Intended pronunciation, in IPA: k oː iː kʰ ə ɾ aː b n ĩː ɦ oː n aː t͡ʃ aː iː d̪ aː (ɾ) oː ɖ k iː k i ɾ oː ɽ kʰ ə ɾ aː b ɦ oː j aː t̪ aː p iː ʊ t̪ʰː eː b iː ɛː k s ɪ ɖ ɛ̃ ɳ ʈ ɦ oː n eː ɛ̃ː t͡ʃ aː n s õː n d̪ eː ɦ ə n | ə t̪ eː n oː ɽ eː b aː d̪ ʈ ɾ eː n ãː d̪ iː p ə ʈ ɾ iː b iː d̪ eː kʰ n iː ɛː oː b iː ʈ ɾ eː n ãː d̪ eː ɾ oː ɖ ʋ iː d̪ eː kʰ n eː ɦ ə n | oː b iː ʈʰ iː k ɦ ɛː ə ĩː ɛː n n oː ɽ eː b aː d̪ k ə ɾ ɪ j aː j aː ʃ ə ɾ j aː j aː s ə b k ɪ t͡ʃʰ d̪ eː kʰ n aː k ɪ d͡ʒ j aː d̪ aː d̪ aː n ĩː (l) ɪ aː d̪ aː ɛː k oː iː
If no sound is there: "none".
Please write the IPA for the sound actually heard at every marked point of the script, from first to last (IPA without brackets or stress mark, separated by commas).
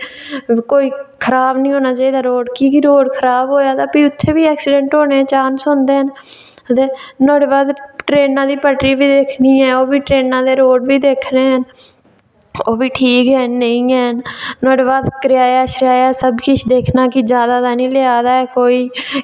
ɾ, l